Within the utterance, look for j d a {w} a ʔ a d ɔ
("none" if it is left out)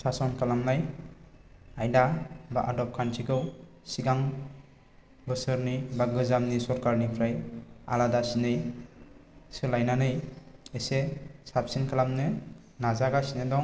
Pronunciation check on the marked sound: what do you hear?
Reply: b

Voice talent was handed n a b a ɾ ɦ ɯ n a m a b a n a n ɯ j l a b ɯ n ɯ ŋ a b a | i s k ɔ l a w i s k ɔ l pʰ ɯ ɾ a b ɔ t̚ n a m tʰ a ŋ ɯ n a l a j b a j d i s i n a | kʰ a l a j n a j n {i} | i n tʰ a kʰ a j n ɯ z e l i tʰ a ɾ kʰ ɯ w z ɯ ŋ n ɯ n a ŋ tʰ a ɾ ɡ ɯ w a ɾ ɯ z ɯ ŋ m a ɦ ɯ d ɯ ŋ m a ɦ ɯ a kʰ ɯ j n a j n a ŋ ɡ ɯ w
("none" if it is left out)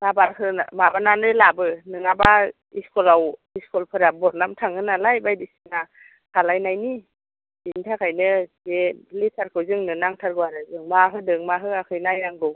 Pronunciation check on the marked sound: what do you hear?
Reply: i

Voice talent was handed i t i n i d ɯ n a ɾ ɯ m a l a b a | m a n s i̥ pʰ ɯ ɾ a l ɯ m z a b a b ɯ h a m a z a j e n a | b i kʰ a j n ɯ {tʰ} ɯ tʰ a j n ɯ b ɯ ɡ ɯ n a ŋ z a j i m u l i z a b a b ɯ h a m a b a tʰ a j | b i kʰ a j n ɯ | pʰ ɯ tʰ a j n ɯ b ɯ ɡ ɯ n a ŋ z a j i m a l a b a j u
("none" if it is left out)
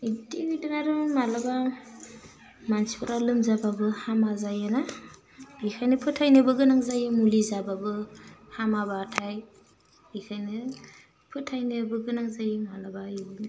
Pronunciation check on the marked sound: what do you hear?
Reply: pʰ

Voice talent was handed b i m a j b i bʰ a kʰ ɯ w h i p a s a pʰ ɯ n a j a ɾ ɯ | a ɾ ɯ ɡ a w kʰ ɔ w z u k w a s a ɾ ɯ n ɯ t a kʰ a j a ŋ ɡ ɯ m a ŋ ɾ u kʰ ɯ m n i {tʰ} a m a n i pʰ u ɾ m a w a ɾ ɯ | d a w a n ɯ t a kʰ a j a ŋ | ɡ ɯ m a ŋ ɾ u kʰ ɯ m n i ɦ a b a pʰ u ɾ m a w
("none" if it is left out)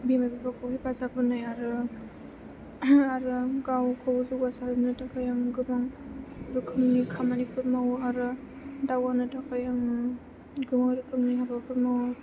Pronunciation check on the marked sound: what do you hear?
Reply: kʰ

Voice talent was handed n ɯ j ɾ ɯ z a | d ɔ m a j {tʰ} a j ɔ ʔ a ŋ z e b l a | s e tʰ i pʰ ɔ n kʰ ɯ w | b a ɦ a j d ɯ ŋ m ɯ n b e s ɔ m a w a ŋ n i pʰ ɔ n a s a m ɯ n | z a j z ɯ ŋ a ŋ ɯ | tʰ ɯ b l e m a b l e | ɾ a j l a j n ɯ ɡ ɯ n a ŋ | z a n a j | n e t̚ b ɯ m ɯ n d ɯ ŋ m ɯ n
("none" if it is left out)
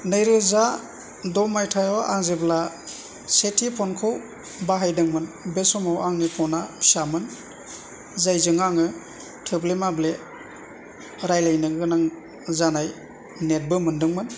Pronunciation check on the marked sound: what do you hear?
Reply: tʰ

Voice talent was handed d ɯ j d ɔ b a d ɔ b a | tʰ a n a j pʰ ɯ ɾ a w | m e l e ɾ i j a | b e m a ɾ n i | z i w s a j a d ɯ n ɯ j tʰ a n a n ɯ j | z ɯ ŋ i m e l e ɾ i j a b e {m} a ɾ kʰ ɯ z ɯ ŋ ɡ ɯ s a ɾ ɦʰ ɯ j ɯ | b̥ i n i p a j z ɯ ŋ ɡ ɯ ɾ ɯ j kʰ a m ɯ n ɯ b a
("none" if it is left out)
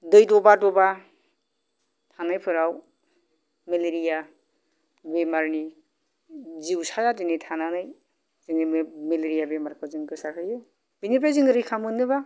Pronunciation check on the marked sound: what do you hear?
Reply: m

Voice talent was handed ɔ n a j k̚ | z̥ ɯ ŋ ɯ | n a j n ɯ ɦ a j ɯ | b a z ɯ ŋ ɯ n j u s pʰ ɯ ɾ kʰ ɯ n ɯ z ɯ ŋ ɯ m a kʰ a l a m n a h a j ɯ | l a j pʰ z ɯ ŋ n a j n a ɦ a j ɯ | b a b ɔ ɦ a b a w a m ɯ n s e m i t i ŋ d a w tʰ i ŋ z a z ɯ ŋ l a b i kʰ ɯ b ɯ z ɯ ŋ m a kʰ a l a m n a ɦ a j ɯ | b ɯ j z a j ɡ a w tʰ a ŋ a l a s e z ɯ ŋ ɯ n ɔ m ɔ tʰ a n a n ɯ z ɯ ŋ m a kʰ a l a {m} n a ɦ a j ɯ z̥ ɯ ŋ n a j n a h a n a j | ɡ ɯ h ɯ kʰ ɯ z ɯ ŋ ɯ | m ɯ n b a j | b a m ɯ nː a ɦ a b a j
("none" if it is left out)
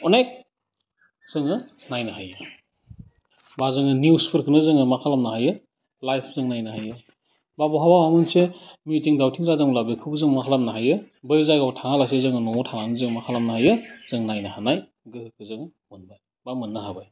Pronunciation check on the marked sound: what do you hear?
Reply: m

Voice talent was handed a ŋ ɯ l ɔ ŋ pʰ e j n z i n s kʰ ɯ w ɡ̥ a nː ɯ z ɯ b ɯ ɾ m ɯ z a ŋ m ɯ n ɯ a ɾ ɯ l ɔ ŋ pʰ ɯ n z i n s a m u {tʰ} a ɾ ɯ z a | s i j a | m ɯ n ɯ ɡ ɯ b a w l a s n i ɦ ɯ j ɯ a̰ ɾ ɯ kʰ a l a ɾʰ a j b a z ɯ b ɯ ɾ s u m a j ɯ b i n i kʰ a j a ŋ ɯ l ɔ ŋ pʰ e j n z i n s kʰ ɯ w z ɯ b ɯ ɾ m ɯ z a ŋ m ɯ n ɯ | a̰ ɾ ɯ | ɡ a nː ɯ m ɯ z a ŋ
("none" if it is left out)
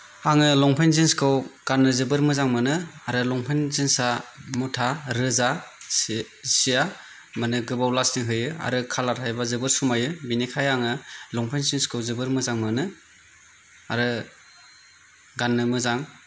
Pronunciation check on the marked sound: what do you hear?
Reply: tʰ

